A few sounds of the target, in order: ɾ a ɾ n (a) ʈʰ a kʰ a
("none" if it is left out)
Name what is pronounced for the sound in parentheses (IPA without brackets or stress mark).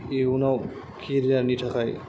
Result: i